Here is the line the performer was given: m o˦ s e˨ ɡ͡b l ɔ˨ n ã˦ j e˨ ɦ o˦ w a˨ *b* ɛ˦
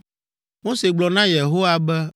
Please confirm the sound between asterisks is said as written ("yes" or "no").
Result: yes